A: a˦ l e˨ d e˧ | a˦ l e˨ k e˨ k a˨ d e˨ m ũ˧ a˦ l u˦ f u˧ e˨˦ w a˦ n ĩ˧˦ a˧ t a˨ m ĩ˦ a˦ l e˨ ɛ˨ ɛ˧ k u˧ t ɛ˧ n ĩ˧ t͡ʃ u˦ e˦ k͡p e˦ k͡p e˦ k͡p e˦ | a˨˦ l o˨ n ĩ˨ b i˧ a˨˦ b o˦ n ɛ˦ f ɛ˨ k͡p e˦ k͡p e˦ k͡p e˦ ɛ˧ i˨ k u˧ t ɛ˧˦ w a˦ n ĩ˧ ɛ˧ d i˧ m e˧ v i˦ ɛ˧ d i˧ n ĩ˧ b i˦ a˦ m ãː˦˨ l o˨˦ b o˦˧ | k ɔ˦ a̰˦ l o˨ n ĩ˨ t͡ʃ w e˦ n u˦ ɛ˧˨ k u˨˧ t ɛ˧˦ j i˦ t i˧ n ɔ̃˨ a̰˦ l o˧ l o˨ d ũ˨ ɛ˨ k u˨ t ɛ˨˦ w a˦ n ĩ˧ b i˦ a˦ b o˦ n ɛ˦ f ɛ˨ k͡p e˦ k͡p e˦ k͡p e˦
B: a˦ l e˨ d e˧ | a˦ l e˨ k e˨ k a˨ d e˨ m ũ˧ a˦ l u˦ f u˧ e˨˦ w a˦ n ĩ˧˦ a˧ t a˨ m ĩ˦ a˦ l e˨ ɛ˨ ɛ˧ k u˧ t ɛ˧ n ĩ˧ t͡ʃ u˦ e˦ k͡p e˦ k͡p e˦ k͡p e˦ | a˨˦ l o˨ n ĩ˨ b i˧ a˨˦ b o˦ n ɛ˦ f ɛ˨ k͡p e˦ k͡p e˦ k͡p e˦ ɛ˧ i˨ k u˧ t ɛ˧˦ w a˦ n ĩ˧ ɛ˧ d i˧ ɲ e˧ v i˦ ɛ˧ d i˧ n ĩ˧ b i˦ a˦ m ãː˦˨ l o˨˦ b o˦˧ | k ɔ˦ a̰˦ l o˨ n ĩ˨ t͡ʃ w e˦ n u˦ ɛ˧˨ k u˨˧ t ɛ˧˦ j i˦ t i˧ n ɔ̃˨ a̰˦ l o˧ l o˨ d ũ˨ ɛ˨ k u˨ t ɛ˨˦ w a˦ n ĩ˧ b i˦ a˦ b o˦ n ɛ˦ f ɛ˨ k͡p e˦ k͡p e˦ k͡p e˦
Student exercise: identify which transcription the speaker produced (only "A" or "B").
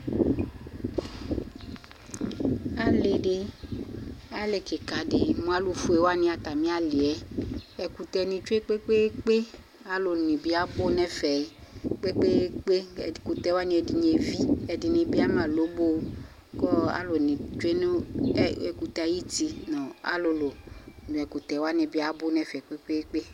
B